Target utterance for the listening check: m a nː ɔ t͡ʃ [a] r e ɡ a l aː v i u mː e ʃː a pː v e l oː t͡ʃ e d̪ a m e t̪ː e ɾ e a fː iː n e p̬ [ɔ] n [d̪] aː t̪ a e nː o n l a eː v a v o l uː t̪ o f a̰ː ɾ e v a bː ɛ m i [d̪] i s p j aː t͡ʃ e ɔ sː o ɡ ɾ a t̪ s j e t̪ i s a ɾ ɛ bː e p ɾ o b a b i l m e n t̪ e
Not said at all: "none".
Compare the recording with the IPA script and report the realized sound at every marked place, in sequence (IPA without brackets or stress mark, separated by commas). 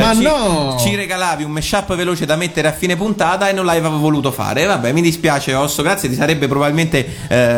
i, u, t̪, d̪